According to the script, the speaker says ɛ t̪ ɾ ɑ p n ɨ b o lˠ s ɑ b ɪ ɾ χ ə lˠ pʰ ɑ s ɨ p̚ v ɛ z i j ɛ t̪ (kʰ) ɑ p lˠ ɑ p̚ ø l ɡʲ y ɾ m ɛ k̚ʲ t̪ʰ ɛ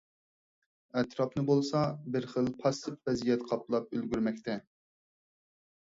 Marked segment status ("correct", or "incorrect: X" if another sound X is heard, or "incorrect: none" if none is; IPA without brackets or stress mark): incorrect: qʰ